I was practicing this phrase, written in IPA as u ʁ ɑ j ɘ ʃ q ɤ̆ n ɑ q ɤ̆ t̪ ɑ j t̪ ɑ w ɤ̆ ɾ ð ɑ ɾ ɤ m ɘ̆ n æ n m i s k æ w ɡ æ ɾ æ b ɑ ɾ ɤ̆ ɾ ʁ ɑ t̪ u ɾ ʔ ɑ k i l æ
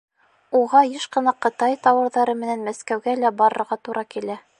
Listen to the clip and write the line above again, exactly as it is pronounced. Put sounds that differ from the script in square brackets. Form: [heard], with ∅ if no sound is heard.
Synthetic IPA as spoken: u ʁ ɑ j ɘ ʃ q ɤ̆ n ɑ q ɤ̆ t̪ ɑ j t̪ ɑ w ɤ̆ ɾ ð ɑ ɾ ɤ m ɘ̆ n æ n m [æ] s k æ w ɡ æ [l] æ b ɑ ɾ ɤ̆ ɾ ʁ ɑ t̪ u ɾ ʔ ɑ k i l æ